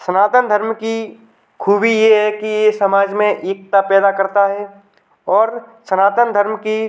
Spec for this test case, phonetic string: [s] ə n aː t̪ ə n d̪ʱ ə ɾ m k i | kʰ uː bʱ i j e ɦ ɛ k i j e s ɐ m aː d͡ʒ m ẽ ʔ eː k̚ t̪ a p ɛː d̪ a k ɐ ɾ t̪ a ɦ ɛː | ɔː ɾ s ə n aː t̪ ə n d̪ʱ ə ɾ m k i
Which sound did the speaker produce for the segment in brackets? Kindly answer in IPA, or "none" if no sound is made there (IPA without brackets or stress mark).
s